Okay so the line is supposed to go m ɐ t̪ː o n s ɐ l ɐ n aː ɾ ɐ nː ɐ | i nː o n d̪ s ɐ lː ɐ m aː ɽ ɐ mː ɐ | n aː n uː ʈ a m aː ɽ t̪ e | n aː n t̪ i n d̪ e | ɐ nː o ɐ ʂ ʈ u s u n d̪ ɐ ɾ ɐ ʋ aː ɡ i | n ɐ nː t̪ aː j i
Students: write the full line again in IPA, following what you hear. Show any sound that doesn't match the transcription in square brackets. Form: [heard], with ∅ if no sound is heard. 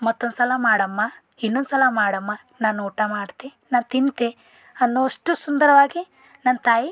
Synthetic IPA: m ɐ t̪ː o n s ɐ l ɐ [m] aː [ɽ] ɐ [mː] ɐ | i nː o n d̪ s ɐ [l] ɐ m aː ɽ ɐ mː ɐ | n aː n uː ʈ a m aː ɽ t̪ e | n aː n t̪ i n [t̪] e | ɐ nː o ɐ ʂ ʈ u s u n d̪ ɐ ɾ ɐ ʋ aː ɡ i | n ɐ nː t̪ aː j i